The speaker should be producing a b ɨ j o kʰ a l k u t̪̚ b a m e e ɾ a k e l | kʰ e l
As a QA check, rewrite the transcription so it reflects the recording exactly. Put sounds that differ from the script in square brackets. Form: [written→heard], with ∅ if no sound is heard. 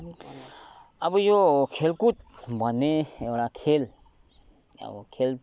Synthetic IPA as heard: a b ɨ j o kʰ [a→e] l k u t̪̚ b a [m→n] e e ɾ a [k→kʰ] e l | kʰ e l